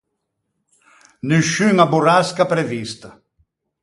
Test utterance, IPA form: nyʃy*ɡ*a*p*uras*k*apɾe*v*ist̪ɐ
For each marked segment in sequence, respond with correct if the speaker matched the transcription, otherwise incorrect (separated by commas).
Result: incorrect, incorrect, correct, correct